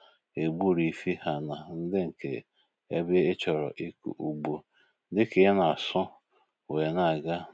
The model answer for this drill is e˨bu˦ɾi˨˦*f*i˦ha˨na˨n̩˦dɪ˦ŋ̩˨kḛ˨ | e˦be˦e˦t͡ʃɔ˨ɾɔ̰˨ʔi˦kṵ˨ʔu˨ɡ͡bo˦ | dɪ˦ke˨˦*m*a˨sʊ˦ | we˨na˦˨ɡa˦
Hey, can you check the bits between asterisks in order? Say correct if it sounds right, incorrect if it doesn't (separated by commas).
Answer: correct, incorrect